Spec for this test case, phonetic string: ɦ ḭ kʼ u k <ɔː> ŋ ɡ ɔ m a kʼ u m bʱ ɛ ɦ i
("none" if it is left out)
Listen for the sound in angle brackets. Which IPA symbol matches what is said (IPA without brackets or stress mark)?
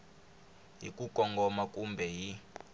ɔ